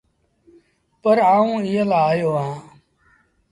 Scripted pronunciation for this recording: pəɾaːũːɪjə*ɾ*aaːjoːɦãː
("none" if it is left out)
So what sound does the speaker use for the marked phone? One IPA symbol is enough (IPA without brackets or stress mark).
l